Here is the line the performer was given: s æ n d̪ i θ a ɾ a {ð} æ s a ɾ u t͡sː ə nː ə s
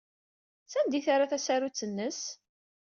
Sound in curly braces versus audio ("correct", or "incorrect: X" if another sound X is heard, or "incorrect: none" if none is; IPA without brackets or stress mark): incorrect: θ